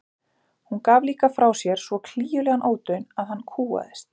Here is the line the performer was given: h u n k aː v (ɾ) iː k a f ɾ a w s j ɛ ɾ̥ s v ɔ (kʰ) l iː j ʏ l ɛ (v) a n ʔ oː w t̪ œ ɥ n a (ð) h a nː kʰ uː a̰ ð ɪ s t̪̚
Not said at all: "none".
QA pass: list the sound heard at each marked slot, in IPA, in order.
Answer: l, kʰ, ɣ, ð

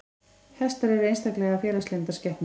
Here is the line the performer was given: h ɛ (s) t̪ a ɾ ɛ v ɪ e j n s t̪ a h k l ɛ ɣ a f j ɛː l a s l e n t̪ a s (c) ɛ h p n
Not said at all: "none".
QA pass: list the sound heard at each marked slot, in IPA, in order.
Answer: s, c

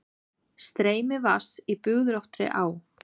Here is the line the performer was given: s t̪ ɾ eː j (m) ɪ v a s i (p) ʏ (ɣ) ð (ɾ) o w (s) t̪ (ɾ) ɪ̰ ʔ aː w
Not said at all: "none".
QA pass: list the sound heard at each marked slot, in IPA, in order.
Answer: m, p, ɣ, ɾ, h, ɾ

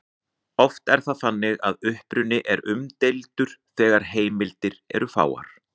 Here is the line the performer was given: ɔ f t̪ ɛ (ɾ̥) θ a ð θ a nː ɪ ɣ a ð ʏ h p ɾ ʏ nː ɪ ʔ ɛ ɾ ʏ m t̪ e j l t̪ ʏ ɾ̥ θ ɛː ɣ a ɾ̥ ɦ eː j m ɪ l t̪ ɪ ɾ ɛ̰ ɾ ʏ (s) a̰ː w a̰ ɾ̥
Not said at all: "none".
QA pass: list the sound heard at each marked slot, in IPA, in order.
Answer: ɾ̥, f

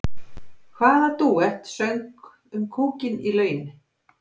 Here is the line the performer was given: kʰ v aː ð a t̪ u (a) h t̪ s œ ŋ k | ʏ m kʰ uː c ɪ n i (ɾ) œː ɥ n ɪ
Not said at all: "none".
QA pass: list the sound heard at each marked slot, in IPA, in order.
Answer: ɛ, l

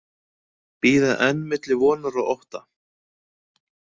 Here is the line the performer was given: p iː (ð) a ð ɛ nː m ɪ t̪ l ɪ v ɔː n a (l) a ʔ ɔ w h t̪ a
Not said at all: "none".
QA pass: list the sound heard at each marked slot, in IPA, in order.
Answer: ð, ɾ

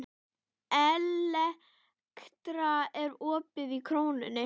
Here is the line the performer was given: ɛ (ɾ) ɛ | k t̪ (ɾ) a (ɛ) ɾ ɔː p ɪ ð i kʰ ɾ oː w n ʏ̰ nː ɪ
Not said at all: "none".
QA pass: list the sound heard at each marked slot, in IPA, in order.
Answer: l, ɾ, ɛ

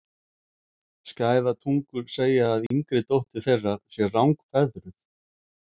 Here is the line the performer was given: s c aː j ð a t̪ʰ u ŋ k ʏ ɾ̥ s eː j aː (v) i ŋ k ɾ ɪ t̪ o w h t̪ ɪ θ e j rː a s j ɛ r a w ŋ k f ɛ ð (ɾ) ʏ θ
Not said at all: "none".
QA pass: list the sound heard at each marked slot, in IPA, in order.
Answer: ð, ɾ

